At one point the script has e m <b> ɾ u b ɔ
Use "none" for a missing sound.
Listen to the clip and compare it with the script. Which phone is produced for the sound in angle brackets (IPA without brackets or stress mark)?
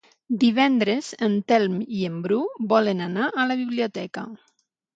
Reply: b